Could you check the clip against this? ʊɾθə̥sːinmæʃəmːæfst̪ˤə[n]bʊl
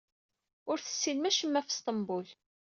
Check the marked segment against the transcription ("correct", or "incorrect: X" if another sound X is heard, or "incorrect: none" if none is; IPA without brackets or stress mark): incorrect: m